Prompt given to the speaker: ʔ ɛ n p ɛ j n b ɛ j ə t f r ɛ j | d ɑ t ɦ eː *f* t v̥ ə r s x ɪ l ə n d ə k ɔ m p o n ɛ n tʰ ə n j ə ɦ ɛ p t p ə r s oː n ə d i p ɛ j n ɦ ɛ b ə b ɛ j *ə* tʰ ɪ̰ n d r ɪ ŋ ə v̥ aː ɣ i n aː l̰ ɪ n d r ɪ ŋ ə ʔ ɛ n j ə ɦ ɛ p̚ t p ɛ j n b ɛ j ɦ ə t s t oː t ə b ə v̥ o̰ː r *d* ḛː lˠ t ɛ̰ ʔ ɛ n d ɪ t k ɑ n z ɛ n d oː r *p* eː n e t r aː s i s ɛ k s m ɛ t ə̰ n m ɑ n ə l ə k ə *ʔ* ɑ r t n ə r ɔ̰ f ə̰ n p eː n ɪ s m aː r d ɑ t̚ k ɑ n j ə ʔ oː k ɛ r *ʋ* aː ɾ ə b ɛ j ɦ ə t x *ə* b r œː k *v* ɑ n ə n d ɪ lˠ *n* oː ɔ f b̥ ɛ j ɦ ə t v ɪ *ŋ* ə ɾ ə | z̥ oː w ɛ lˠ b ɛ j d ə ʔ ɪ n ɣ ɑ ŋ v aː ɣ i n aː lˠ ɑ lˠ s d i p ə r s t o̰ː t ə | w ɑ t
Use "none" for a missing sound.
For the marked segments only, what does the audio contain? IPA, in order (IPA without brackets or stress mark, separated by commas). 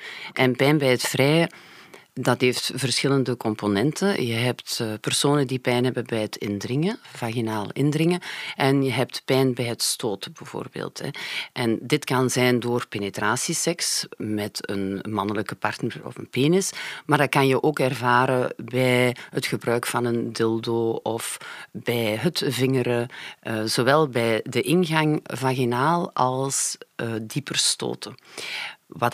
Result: f, ə, b, p, p, v, ə, f, d, ŋ